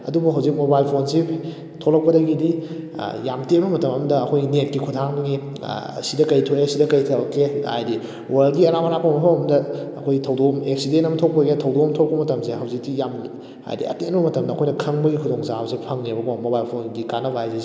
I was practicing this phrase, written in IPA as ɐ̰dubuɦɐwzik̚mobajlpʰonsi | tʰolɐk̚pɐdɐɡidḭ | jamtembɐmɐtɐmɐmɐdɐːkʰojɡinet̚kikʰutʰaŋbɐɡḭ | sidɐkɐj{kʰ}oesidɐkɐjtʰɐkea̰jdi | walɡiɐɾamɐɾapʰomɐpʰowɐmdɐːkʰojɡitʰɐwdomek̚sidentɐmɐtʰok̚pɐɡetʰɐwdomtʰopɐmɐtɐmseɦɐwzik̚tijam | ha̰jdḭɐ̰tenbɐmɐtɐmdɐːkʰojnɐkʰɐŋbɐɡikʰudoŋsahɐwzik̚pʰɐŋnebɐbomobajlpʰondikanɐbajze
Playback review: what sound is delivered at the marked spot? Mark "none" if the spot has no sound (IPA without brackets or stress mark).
tʰ